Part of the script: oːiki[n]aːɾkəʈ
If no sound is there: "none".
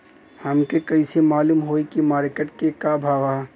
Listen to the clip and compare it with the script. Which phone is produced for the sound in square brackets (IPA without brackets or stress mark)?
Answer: m